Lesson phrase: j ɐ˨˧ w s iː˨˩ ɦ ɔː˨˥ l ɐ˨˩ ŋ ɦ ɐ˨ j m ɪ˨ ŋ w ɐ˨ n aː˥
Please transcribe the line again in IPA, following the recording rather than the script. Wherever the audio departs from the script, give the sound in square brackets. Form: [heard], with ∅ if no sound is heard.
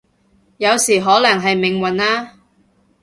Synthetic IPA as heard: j ɐ˨˧ w s iː˨˩ ɦ ɔː˨˥ l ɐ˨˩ ŋ ɦ ɐ˨ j m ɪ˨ ŋ w ɐ˨ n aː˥